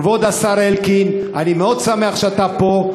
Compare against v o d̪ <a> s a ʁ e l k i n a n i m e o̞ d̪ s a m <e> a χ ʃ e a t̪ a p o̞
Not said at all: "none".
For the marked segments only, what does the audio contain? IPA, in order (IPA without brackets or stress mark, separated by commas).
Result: a, e